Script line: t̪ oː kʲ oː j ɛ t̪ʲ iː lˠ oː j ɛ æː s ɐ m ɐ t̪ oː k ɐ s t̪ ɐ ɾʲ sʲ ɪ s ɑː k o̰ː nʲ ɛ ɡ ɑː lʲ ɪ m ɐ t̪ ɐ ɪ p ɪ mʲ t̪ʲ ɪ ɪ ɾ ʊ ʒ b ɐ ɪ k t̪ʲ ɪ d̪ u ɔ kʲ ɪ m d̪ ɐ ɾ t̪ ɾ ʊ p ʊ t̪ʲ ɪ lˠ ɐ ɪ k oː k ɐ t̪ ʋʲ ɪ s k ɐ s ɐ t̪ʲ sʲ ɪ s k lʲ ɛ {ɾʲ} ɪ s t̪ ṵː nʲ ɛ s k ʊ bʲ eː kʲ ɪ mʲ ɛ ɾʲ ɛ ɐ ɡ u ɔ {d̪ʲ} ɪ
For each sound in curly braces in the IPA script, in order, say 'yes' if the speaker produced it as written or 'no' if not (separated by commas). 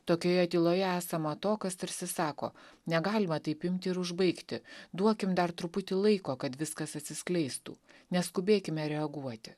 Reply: no, no